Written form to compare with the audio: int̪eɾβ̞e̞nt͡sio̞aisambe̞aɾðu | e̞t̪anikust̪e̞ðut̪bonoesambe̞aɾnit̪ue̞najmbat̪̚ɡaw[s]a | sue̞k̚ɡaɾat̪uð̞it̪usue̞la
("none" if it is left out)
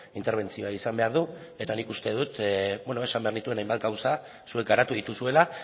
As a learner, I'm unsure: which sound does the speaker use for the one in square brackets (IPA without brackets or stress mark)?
s